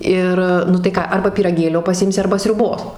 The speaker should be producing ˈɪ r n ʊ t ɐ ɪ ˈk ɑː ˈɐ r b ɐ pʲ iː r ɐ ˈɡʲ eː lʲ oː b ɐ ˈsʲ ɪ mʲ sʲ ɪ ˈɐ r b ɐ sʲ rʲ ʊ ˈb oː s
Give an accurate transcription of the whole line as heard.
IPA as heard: ˈɪ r n ʊ t ɐ ɪ ˈk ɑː ˈɐ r b ɐ pʲ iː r ɐ ˈɡʲ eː lʲ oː p ɐ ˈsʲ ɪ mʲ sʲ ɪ ˈɐ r b ɐ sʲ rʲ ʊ ˈb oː s